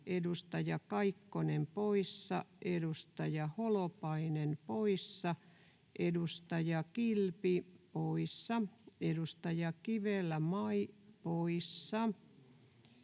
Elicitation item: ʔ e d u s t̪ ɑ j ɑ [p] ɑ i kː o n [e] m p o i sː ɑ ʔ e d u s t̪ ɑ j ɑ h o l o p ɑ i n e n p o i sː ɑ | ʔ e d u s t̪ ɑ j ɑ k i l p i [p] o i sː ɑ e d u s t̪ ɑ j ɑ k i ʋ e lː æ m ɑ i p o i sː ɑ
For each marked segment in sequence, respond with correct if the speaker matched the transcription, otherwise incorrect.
incorrect: k, correct, correct

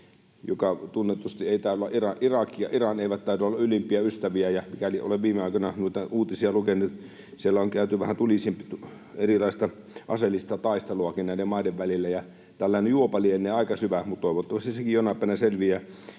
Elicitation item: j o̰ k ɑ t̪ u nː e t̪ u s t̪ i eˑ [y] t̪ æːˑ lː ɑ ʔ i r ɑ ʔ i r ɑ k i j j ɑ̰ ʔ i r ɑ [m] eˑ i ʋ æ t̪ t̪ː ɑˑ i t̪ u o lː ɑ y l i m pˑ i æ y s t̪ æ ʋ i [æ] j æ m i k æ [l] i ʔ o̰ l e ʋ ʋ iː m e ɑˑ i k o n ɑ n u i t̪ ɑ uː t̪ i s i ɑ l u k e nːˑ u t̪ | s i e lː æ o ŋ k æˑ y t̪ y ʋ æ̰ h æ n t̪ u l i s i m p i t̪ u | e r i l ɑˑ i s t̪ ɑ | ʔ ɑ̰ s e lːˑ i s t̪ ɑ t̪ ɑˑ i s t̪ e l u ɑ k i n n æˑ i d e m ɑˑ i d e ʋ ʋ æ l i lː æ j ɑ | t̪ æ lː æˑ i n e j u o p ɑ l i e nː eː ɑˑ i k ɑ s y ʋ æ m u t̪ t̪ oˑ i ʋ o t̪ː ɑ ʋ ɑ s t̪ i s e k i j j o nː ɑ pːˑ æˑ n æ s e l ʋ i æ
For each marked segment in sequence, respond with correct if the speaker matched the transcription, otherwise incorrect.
incorrect: i, incorrect: n, correct, correct

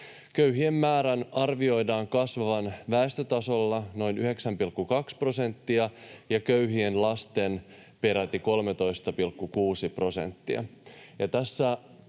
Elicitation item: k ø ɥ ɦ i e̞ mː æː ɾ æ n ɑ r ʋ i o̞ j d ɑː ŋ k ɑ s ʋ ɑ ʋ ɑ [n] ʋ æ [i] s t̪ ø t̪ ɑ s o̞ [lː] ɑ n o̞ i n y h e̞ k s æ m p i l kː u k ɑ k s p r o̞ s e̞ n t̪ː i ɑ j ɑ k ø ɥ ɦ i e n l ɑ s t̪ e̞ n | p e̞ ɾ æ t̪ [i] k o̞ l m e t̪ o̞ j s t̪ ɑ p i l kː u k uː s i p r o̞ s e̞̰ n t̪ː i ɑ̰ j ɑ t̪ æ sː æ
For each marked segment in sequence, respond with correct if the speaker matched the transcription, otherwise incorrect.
correct, incorrect: e, correct, correct

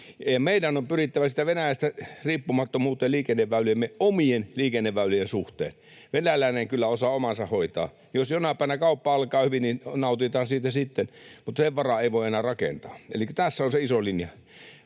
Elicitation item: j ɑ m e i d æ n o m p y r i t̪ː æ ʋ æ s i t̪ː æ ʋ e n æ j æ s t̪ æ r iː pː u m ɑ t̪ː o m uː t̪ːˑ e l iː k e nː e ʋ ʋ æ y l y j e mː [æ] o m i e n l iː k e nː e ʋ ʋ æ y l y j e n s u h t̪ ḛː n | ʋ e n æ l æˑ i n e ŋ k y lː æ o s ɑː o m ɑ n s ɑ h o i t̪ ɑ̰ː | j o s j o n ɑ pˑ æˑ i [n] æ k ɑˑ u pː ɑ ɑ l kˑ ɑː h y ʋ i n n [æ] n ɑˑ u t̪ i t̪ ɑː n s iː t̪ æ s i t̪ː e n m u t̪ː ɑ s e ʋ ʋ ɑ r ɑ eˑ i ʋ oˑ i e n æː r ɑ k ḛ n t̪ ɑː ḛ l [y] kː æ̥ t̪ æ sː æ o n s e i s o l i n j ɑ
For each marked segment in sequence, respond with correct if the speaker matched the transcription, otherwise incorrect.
incorrect: e, correct, incorrect: i, incorrect: i

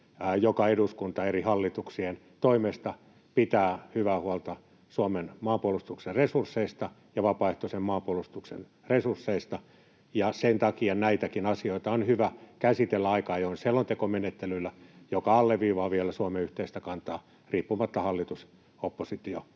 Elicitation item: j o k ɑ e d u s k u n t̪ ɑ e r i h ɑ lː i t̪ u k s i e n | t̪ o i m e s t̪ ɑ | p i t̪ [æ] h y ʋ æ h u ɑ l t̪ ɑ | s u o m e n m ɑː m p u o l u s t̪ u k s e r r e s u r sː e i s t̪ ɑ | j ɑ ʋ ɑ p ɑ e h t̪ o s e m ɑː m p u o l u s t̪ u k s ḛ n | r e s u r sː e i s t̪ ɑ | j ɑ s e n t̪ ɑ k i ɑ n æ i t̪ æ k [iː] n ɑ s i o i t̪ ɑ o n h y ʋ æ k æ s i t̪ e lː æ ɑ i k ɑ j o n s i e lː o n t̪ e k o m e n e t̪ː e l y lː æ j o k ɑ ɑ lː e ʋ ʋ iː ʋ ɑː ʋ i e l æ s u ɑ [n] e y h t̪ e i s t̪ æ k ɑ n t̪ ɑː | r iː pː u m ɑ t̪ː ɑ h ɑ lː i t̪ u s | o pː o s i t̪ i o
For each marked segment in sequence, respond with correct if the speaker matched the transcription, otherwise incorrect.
incorrect: æː, incorrect: i, incorrect: m

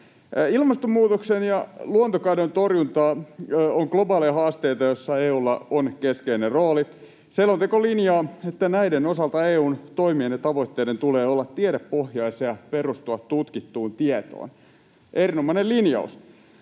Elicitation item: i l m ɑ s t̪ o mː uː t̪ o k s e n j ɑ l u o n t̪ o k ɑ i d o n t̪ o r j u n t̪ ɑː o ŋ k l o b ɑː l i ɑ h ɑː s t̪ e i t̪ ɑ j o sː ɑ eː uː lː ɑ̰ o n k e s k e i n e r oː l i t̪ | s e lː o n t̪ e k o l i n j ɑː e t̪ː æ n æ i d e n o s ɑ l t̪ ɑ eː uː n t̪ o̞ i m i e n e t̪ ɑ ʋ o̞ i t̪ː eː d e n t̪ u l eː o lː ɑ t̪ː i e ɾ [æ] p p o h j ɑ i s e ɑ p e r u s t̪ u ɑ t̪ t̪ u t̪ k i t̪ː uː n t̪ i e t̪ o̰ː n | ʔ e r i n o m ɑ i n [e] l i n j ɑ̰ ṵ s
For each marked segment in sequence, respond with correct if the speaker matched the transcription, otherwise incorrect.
incorrect: e, correct

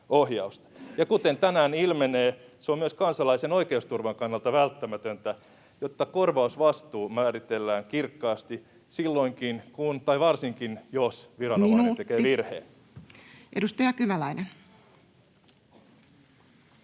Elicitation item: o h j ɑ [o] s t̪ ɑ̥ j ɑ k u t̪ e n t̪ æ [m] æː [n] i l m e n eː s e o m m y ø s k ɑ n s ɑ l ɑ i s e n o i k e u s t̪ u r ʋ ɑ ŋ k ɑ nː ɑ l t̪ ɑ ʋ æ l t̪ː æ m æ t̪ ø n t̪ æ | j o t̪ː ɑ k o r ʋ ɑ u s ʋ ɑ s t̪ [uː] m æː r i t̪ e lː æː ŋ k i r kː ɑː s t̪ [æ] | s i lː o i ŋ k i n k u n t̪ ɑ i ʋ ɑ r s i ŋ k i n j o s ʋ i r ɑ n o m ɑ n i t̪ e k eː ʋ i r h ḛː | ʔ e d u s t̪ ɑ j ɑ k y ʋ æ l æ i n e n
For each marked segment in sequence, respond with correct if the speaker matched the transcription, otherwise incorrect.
incorrect: u, incorrect: n, correct, correct, incorrect: i

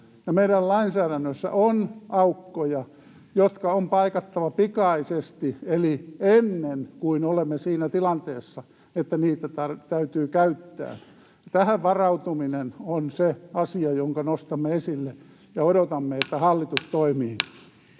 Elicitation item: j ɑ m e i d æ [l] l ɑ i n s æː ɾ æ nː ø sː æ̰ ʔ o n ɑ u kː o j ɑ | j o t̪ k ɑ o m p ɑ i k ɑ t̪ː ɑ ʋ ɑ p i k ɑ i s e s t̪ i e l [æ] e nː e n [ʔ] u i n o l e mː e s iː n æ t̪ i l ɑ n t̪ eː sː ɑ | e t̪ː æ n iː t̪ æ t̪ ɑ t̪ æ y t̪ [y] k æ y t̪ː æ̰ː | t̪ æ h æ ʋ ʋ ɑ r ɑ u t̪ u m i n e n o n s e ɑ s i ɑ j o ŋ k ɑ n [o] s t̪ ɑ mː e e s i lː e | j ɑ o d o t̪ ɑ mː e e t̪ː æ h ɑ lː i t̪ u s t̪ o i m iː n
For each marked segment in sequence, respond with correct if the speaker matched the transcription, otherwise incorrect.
correct, incorrect: i, incorrect: k, incorrect: yː, correct

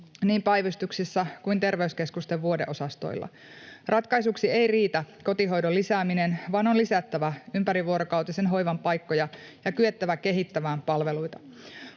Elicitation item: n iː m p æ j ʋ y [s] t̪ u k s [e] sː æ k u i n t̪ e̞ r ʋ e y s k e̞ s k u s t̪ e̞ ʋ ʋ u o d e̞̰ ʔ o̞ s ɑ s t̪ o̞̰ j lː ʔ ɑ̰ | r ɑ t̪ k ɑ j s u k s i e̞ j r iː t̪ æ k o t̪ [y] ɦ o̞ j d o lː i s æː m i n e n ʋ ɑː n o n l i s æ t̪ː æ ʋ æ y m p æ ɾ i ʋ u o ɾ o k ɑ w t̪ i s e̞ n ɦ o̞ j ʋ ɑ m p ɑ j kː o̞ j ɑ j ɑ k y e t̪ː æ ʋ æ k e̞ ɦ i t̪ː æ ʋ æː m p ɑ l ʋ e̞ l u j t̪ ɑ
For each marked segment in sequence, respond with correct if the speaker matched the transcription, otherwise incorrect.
correct, incorrect: i, incorrect: i

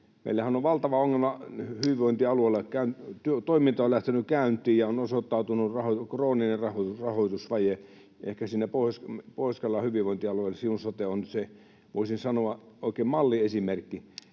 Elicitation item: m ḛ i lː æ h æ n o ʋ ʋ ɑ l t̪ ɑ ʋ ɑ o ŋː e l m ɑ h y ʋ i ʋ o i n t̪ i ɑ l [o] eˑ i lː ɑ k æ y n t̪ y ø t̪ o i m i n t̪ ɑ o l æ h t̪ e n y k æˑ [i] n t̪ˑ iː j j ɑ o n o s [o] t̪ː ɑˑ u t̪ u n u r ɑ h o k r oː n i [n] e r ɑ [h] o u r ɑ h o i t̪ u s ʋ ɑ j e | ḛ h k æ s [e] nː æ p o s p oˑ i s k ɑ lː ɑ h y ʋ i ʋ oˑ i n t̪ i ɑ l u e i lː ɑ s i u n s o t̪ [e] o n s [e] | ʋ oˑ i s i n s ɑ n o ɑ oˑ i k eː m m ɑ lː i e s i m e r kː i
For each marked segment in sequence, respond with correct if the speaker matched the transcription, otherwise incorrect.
incorrect: u, incorrect: y, correct, correct, correct, incorrect: i, correct, correct

